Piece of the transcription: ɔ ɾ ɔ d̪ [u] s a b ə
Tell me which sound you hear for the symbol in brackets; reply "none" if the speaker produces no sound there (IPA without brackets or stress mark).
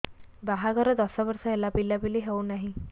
ɔ